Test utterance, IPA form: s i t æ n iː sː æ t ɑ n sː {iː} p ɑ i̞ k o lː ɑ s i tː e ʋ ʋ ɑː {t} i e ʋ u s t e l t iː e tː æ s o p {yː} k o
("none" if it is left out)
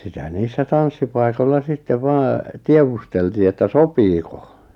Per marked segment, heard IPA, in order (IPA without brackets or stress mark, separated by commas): i, t, iː